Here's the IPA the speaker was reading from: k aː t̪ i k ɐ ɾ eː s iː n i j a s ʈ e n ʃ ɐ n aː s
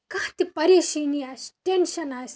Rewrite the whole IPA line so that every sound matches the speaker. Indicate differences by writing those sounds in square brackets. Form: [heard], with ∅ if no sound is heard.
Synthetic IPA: k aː t̪ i [p] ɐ ɾ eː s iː n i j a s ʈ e n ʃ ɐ n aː s